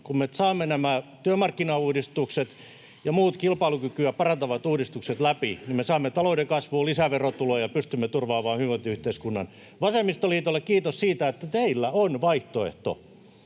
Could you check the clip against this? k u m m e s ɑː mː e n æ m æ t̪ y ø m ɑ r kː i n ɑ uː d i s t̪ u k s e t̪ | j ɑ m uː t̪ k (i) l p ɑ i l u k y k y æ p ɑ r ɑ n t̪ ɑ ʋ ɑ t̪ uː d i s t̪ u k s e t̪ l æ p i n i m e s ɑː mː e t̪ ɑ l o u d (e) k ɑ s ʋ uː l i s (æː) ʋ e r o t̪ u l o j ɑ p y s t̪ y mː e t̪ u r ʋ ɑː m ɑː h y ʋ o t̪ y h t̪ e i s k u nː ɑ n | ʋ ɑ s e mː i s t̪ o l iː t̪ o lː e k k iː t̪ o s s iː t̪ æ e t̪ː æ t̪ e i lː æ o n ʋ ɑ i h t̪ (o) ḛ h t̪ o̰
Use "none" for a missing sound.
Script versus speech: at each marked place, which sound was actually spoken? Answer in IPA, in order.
i, e, æ, o

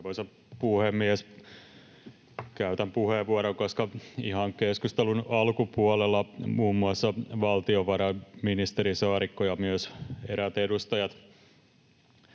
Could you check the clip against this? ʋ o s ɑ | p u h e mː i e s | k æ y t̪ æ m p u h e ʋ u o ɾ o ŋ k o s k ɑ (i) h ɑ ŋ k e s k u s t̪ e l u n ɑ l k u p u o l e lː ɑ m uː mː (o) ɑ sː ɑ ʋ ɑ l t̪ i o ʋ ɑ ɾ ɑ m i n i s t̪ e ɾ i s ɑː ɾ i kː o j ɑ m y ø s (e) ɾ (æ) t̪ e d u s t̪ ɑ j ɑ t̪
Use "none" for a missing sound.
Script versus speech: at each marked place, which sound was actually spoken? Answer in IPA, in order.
i, u, e, æ

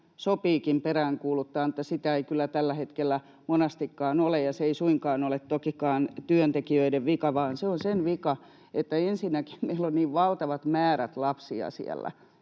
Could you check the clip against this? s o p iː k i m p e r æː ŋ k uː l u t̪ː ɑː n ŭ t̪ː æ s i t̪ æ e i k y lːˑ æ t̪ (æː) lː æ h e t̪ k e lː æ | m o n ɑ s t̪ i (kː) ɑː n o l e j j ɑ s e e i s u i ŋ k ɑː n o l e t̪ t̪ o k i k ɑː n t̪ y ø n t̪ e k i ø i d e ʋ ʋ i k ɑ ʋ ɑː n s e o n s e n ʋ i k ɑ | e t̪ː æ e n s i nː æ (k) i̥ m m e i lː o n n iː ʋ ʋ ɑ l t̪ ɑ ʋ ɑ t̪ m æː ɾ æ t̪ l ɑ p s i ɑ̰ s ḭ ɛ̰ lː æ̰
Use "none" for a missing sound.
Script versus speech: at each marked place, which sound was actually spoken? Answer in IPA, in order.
æ, kː, k

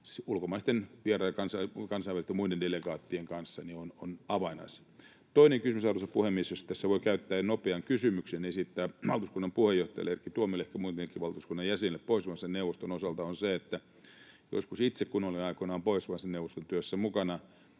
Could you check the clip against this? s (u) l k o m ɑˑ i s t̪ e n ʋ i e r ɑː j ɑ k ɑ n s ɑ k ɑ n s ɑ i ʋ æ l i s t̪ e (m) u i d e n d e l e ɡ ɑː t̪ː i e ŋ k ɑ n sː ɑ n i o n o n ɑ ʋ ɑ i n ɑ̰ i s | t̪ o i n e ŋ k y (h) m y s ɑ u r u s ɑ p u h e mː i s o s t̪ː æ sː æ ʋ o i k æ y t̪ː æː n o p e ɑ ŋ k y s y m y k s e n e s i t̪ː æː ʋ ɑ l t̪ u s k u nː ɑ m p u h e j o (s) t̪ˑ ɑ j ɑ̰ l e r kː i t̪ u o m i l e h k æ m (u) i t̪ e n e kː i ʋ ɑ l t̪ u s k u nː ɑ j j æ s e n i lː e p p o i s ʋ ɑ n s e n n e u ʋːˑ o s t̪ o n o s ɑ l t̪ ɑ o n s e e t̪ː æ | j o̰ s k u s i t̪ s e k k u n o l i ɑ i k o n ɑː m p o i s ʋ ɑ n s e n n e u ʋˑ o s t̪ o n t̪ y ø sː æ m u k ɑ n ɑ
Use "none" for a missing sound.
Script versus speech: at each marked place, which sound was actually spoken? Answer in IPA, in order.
u, m, s, h, u

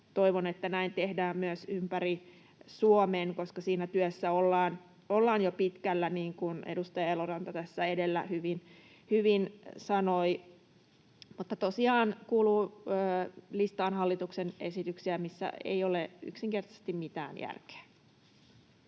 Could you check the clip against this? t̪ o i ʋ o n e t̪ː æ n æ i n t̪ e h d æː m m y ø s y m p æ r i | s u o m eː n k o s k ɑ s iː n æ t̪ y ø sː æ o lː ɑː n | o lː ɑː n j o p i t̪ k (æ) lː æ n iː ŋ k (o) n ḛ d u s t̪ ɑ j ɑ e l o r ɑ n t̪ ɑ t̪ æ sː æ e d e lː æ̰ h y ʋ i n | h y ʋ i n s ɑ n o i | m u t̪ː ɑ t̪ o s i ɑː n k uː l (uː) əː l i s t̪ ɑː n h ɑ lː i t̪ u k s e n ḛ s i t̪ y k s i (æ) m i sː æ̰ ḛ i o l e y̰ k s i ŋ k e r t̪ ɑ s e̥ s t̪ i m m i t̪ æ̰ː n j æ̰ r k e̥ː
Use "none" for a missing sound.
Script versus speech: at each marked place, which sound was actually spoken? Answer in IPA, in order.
æ, u, uː, æ

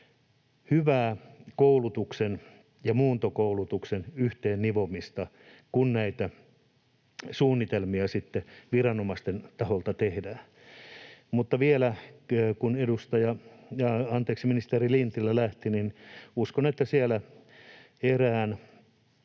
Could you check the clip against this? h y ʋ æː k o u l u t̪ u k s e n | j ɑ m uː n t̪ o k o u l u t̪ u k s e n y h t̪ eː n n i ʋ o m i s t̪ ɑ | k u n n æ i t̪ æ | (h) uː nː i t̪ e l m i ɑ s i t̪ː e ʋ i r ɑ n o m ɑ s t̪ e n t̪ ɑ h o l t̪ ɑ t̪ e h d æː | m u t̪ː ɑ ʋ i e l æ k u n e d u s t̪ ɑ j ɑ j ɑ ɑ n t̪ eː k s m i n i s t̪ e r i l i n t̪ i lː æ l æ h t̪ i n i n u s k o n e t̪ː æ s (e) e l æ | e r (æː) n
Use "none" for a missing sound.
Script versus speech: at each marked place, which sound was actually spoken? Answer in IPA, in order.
s, i, æː

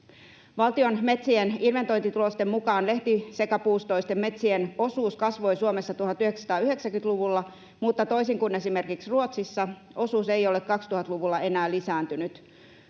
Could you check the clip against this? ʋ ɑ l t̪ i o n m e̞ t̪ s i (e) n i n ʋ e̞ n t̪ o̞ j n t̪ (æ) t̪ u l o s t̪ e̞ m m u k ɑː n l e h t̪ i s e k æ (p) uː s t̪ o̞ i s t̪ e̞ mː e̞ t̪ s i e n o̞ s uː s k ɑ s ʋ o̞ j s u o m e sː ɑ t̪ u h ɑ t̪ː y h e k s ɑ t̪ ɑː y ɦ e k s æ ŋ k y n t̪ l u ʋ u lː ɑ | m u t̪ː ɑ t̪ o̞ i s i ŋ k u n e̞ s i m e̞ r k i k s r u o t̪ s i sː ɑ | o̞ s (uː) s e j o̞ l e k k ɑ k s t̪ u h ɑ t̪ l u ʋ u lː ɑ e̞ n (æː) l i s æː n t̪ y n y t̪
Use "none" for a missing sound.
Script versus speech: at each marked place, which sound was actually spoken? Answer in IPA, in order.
e, i, p, uː, æː

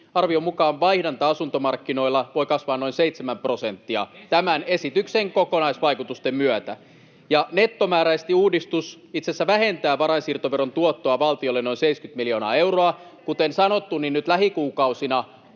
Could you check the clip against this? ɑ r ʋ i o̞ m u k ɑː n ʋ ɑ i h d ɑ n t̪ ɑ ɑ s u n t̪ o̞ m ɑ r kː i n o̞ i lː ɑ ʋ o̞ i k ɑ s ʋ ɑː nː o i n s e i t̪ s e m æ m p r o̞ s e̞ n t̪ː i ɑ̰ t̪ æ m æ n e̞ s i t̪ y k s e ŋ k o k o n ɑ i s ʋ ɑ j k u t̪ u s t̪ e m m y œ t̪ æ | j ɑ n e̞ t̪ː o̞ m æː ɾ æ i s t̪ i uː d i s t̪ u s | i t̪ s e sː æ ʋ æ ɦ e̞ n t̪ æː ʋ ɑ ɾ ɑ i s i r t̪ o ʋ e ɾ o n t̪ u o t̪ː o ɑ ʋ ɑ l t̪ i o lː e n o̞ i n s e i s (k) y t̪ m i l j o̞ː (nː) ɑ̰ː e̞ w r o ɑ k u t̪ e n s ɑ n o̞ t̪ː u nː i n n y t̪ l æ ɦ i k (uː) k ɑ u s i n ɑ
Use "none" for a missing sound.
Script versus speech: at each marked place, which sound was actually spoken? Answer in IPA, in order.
k, n, uː

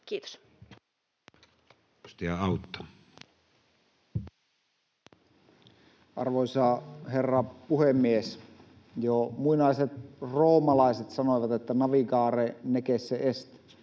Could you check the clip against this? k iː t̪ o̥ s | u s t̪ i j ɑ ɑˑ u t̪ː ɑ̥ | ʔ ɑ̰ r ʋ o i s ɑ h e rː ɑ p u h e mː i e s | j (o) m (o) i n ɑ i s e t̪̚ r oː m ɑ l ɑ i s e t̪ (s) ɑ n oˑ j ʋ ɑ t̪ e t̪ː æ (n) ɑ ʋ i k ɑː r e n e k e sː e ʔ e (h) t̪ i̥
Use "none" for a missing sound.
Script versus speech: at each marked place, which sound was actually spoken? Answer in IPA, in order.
o, u, s, n, s

